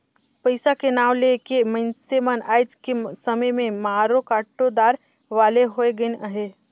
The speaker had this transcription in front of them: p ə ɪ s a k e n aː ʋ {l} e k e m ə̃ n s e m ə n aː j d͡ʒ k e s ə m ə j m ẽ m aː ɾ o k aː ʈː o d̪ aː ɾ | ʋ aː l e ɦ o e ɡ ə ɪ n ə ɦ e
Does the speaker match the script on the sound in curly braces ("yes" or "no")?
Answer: yes